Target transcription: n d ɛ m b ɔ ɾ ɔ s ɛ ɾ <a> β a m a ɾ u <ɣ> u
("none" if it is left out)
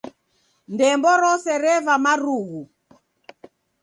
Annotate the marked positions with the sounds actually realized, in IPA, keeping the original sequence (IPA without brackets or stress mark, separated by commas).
ɛ, ɣ